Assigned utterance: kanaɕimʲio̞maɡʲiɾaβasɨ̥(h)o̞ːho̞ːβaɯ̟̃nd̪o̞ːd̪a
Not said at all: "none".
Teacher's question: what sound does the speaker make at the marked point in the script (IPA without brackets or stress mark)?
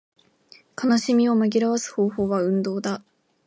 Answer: h